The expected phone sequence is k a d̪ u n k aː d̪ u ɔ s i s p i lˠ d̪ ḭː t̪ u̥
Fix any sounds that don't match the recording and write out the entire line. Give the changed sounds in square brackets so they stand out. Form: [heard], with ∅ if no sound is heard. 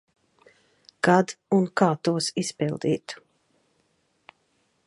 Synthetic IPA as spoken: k a d̪ u n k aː [t̪] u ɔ s i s p i lˠ d̪ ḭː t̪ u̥